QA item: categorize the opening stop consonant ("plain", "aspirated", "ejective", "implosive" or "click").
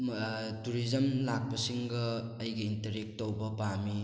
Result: plain